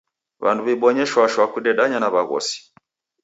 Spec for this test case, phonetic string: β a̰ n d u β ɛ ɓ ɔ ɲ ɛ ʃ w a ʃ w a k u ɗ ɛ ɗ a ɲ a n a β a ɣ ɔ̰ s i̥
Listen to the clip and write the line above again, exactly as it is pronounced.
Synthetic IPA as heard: β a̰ n d u β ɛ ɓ ɔ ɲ ɛ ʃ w a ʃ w a k u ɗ ɛ ɗ a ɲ a n a β a ɣ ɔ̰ s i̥